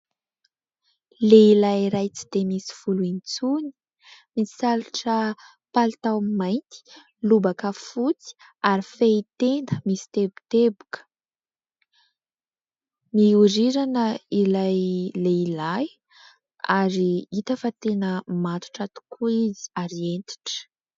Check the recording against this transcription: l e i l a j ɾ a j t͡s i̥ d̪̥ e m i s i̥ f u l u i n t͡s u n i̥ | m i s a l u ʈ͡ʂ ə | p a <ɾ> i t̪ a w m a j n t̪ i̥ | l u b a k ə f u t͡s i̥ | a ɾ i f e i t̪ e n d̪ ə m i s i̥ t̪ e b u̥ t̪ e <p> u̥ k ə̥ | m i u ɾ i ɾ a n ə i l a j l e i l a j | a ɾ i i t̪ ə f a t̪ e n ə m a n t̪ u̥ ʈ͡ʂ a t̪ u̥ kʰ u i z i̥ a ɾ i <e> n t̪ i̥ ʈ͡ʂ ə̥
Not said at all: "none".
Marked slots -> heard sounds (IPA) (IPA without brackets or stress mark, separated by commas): l, b, e